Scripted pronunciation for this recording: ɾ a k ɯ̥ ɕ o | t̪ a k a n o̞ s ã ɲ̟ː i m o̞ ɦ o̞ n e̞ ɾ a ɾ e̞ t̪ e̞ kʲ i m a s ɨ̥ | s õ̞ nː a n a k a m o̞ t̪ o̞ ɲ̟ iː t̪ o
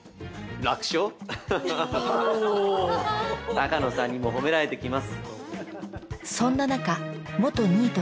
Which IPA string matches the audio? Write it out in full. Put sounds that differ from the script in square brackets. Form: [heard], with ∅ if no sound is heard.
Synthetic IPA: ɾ a k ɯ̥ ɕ o | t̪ a k a n o̞ s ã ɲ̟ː i m o̞ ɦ o̞ [m] e̞ ɾ a ɾ e̞ t̪ e̞ kʲ i m a s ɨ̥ | s õ̞ nː a n a k a m o̞ t̪ o̞ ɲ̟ iː t̪ o